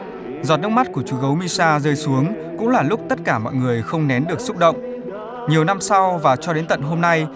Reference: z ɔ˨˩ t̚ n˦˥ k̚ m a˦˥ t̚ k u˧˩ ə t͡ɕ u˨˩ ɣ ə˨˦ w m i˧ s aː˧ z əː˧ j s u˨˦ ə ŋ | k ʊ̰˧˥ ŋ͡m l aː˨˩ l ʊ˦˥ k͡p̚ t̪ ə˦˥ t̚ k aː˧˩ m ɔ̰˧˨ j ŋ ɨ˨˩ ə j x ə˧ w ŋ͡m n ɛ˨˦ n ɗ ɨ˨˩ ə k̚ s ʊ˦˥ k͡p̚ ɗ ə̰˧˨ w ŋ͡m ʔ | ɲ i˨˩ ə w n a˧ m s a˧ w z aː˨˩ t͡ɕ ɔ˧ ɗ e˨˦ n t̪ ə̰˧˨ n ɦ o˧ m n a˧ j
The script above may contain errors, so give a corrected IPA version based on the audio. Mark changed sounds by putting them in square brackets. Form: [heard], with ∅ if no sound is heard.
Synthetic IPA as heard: z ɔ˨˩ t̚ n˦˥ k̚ m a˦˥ t̚ k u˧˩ ə t͡ɕ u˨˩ ɣ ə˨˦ w m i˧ s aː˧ z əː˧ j s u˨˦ ə ŋ | k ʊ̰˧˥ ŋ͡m l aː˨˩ l ʊ˦˥ k͡p̚ t̪ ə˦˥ t̚ k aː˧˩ m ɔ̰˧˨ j ŋ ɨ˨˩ ə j x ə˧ w ŋ͡m n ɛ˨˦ n ɗ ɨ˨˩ ə k̚ s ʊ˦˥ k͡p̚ ɗ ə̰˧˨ w ŋ͡m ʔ | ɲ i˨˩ ə w n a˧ m s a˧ w [v] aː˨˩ t͡ɕ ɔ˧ ɗ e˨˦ n t̪ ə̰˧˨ n ɦ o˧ m n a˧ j